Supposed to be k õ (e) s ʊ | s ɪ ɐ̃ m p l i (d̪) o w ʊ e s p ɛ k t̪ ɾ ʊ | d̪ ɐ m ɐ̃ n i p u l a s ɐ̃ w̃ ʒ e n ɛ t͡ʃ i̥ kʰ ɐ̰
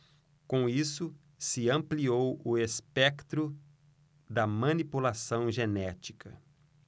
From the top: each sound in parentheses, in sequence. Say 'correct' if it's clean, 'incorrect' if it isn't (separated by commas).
incorrect, incorrect